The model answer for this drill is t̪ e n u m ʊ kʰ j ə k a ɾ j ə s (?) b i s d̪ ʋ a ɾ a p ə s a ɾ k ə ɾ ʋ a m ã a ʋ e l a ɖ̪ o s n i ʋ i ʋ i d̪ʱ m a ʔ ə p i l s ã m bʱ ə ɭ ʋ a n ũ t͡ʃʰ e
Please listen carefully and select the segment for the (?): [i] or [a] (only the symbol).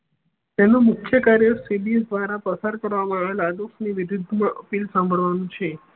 i